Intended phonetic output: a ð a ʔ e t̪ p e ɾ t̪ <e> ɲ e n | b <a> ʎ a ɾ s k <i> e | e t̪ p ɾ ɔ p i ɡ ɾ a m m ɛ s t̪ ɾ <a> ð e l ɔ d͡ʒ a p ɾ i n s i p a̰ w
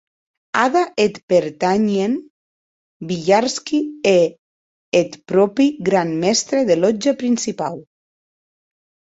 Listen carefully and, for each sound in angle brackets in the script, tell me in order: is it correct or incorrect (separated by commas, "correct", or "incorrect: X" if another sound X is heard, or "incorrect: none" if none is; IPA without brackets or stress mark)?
incorrect: a, incorrect: i, correct, incorrect: e